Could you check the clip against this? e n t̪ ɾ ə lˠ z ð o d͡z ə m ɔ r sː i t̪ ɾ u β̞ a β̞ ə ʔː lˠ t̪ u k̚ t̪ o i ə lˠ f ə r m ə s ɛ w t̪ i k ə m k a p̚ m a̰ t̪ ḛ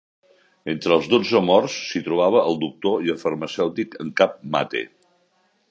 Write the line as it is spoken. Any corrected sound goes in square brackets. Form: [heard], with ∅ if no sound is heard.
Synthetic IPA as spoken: e n t̪ ɾ ə lˠ z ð o d͡z ə m ɔ r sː i t̪ ɾ u β̞ a β̞ ə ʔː lˠ [d̪] u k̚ t̪ o i ə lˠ f ə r m ə s ɛ w t̪ i k ə [ŋ] k a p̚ m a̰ t̪ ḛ